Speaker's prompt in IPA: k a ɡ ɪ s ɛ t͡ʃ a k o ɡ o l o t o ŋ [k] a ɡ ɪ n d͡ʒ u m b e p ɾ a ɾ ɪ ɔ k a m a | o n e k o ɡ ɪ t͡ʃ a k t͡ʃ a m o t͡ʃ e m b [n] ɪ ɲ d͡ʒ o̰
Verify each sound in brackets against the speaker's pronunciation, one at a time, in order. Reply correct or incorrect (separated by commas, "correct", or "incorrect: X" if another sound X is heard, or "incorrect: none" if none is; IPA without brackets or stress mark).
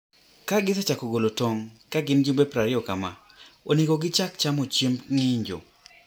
correct, incorrect: ŋ